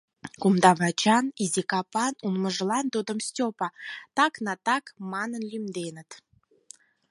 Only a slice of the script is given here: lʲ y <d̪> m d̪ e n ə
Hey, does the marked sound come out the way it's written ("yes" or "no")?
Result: no